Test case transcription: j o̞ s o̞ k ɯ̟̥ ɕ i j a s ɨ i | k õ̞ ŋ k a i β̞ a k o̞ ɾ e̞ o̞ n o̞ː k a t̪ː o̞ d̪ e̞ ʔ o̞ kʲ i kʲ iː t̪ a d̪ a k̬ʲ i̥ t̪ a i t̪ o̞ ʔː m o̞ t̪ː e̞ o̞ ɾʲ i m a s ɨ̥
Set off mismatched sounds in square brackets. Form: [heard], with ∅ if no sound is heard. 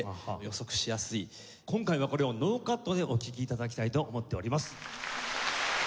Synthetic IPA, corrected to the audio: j o̞ s o̞ k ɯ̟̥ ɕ i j a s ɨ i | k õ̞ ŋ k a i β̞ a k o̞ ɾ e̞ o̞ n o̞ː k a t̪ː o̞ d̪ e̞ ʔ o̞ kʲ i kʲ iː t̪ a d̪ a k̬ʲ i̥ t̪ a i t̪ o̞ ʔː m o̞ t̪ː e̞ o̞ ɾʲ i m a s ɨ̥